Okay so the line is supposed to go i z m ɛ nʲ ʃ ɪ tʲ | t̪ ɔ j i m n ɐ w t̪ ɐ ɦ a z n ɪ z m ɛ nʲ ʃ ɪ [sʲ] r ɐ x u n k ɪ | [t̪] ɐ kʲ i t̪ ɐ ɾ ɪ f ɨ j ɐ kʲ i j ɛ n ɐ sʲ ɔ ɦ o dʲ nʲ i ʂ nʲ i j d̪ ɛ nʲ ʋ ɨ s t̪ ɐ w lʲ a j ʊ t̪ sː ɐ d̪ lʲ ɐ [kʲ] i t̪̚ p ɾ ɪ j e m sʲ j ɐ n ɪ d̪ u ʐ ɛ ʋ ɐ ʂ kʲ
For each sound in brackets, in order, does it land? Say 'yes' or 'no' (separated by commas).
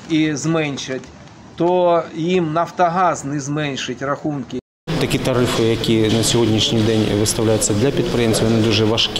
no, yes, no